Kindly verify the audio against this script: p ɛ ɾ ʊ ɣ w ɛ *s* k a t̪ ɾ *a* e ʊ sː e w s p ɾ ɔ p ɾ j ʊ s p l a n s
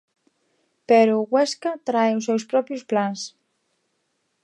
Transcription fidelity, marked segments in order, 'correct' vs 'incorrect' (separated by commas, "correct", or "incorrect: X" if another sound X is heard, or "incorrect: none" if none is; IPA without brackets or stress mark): correct, correct